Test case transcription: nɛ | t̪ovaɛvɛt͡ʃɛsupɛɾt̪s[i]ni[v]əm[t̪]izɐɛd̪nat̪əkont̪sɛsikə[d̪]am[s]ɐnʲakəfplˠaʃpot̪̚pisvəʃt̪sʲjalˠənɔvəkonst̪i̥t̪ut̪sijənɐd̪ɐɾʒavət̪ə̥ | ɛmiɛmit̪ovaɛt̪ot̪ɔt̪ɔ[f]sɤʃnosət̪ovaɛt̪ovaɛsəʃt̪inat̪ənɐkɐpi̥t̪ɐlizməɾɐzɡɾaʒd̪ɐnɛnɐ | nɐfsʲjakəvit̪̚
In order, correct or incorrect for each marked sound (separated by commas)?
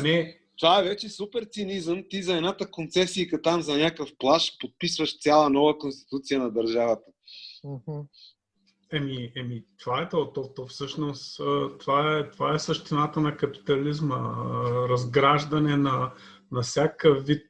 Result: correct, incorrect, correct, incorrect, incorrect, correct